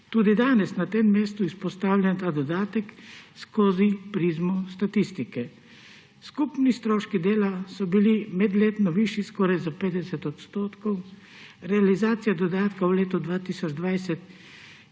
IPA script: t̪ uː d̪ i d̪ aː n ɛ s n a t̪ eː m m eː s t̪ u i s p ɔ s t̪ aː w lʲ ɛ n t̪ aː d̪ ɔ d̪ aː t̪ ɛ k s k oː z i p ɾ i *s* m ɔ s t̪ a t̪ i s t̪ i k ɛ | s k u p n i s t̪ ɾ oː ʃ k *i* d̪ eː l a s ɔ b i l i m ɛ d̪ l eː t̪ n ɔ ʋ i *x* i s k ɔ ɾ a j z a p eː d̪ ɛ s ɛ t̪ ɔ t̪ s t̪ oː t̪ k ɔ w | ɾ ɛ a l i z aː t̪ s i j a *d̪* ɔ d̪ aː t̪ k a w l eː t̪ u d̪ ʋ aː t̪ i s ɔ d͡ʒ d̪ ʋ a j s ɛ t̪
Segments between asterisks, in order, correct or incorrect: incorrect, correct, incorrect, correct

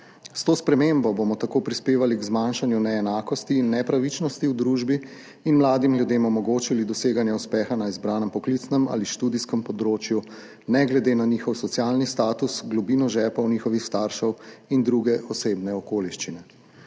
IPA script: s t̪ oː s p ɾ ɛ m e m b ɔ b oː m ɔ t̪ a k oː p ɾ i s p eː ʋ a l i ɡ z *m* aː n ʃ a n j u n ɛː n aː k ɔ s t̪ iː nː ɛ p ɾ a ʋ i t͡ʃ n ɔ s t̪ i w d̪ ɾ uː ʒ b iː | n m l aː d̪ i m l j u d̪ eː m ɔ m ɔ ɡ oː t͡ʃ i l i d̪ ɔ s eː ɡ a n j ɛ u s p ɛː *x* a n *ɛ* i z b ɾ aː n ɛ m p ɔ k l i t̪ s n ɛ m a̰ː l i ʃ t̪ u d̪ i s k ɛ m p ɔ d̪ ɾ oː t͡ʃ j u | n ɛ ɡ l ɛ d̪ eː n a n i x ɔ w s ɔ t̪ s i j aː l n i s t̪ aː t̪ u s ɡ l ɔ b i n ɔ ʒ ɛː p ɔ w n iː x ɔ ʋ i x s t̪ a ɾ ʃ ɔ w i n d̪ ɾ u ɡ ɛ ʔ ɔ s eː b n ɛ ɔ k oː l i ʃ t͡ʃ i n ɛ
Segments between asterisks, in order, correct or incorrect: correct, correct, incorrect

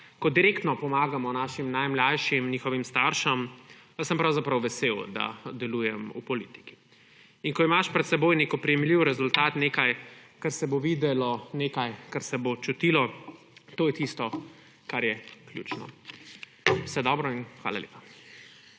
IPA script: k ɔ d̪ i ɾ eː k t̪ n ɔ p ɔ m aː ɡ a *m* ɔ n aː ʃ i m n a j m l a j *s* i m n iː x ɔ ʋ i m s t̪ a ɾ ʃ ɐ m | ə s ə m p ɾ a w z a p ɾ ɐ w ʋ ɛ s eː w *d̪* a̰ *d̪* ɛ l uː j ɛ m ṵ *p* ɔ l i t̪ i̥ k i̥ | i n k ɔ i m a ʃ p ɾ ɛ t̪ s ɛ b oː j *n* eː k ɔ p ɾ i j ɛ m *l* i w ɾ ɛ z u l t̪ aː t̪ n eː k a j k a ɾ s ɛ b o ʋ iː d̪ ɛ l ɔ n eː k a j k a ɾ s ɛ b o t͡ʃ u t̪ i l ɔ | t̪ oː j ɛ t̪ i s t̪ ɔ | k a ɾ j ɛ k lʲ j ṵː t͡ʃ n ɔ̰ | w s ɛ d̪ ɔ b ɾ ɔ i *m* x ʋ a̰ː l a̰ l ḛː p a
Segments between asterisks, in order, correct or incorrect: correct, incorrect, correct, correct, correct, correct, correct, incorrect

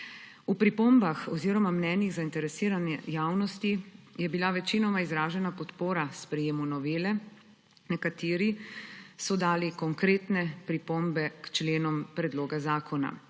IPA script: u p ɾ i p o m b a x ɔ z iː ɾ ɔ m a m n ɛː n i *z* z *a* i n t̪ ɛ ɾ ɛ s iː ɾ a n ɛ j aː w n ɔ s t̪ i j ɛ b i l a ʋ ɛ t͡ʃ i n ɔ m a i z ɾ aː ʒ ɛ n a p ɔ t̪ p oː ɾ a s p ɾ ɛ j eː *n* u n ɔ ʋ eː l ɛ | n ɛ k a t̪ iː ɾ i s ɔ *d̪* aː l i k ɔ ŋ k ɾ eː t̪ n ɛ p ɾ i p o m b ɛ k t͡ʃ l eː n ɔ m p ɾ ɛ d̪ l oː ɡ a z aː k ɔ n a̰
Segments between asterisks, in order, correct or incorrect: incorrect, correct, incorrect, correct

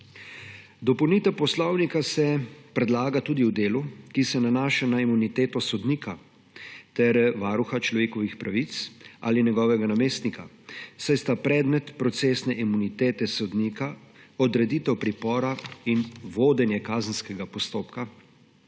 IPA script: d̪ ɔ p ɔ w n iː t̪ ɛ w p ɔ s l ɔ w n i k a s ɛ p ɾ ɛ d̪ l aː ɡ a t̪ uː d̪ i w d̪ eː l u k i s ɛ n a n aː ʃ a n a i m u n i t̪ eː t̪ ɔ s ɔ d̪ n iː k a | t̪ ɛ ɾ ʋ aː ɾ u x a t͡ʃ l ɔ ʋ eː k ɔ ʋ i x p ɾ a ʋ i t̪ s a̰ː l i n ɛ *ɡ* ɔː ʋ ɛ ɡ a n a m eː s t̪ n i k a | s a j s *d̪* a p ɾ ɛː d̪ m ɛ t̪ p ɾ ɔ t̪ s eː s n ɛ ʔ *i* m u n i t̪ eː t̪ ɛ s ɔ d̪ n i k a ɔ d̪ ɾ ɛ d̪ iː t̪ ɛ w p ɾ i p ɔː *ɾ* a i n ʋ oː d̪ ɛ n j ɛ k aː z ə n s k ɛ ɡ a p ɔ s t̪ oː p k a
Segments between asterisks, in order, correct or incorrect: correct, incorrect, correct, correct

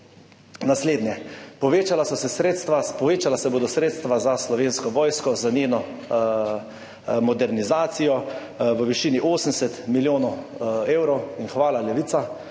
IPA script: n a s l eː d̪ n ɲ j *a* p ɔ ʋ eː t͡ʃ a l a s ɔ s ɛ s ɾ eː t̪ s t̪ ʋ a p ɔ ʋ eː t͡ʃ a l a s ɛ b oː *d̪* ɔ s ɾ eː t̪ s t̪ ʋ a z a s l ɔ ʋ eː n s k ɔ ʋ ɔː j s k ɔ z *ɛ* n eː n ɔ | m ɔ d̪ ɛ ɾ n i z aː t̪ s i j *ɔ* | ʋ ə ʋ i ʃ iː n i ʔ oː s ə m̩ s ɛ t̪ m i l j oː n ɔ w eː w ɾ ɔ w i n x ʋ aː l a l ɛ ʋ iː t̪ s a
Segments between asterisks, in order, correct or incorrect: incorrect, correct, incorrect, correct

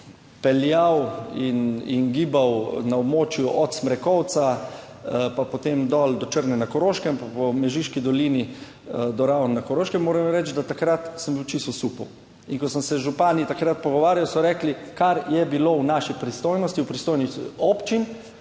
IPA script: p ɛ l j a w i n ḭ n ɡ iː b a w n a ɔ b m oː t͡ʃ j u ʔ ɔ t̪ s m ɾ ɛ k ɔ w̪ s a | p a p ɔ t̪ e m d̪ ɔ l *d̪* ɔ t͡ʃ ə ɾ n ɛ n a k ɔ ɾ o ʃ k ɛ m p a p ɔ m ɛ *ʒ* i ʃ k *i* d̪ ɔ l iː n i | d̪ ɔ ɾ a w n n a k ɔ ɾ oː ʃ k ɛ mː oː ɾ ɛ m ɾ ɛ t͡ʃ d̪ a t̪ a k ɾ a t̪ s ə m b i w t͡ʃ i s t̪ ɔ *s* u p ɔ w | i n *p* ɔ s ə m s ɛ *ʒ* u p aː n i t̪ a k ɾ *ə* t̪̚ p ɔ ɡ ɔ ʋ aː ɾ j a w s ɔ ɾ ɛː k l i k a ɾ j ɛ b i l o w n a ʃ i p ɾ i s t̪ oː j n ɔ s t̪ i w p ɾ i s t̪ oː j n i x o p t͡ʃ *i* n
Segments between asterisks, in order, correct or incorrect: correct, correct, correct, correct, incorrect, correct, incorrect, correct

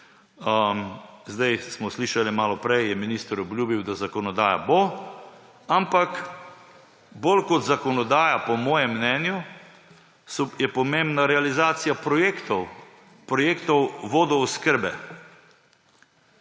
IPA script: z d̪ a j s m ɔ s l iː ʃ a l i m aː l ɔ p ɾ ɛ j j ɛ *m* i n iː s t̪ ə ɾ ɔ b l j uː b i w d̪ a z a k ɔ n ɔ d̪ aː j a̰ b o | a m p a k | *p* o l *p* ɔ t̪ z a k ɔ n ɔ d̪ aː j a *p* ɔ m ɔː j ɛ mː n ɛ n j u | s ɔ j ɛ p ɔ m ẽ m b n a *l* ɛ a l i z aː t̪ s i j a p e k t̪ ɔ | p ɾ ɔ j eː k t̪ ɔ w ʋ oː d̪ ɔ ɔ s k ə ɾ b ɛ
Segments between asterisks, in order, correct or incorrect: correct, incorrect, incorrect, correct, incorrect

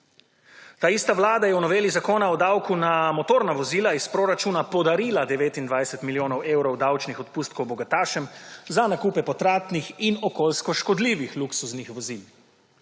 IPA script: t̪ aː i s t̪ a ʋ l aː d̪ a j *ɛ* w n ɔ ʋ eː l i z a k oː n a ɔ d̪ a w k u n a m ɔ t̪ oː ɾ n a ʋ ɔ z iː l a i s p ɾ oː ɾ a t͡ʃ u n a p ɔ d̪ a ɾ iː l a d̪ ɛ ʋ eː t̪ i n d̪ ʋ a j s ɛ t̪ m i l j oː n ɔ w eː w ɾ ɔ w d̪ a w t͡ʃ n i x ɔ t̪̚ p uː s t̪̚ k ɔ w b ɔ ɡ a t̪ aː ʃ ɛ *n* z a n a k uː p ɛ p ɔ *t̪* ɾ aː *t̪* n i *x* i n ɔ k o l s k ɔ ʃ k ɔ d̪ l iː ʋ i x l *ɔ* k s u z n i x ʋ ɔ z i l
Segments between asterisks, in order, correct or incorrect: correct, incorrect, correct, correct, correct, incorrect

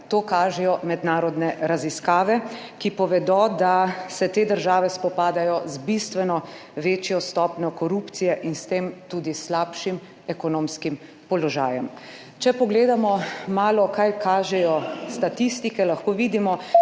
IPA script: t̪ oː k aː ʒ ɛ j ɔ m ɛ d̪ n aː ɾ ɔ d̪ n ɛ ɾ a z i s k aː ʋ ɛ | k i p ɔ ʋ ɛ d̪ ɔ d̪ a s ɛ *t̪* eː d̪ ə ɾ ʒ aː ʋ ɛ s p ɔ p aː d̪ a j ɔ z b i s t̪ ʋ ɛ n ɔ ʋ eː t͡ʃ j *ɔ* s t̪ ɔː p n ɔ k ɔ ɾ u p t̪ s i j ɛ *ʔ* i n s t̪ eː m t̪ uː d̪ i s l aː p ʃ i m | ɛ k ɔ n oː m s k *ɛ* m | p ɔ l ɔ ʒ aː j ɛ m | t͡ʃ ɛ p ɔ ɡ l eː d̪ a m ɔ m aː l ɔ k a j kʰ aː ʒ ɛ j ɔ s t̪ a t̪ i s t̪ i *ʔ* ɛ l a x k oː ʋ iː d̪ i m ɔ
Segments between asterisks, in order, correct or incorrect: correct, correct, correct, incorrect, incorrect

